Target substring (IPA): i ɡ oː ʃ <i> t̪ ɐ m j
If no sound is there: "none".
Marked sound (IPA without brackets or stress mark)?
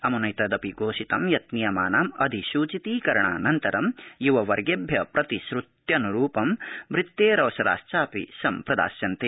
i